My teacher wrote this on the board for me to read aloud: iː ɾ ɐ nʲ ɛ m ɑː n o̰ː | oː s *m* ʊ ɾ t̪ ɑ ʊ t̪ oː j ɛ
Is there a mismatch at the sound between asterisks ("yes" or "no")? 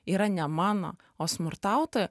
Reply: no